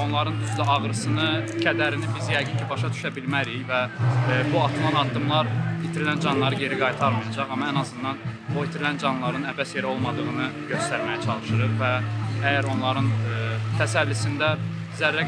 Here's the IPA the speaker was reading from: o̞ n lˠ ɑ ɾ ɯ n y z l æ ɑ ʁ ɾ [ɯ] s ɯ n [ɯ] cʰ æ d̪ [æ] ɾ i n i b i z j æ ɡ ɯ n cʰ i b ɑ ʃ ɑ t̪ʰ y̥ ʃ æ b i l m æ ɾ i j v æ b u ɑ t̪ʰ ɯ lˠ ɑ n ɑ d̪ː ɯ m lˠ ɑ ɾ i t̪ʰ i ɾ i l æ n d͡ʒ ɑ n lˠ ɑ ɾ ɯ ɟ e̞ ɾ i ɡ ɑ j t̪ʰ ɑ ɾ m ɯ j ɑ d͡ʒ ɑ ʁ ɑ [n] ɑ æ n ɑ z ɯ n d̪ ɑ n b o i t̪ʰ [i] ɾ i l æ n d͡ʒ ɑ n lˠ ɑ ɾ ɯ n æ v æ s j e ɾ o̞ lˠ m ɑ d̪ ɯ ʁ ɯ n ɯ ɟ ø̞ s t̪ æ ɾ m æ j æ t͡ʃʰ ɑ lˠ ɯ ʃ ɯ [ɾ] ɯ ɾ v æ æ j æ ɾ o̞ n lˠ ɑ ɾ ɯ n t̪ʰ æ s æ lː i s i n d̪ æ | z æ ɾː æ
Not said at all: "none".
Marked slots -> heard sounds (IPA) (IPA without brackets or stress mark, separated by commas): ɯ, ɯ, æ, m, i, ɾ